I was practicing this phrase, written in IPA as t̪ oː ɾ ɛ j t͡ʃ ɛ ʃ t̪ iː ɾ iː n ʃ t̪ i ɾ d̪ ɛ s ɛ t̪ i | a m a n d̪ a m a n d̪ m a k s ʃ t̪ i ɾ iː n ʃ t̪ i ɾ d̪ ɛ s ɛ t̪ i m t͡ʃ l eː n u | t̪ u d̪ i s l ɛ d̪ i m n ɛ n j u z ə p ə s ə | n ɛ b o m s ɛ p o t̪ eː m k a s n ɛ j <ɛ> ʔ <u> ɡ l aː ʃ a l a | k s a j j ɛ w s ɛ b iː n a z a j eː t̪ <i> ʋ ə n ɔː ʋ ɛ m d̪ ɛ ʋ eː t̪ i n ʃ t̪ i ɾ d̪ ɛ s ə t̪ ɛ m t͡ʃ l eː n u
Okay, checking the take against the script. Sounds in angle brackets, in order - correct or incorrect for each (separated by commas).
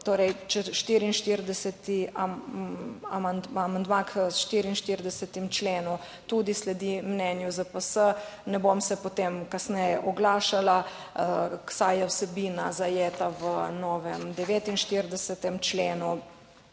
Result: correct, incorrect, incorrect